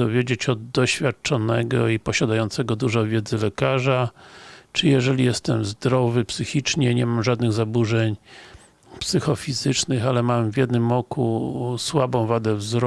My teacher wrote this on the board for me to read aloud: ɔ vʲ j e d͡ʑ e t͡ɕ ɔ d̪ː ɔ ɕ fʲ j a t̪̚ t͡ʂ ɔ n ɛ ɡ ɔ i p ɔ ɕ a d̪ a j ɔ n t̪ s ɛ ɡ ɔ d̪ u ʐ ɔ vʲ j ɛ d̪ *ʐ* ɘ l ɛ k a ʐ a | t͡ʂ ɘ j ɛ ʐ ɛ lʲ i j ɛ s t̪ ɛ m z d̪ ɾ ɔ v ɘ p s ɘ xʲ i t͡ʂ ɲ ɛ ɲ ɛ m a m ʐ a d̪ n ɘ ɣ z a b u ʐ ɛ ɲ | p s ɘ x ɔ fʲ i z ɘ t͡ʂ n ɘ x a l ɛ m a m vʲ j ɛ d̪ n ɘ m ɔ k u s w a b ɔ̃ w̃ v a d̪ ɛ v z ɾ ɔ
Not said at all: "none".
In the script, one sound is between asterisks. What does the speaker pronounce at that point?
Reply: z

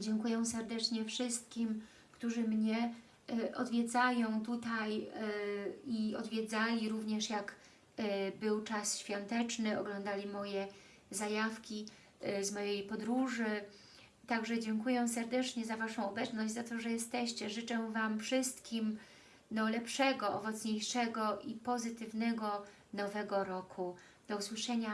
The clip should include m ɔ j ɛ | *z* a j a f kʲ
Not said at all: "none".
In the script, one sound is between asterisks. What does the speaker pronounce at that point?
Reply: z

